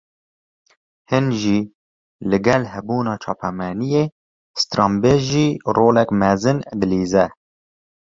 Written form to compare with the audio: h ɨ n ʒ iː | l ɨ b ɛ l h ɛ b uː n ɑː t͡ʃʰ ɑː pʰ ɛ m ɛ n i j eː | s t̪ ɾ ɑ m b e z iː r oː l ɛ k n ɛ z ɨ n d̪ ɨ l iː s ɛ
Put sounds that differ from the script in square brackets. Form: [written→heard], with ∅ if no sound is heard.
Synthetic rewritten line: h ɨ n ʒ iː | l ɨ [b→ɡ] ɛ l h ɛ b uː n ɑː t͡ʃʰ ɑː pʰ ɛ m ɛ n i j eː | s t̪ ɾ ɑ m b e [z→ʒ] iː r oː l ɛ k [n→m] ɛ z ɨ n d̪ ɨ l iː [s→z] ɛ